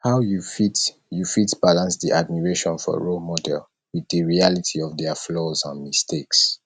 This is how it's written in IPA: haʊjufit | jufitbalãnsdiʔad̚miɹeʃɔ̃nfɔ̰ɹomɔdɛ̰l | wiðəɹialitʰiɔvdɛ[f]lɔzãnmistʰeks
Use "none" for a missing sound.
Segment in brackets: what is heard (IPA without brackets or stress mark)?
f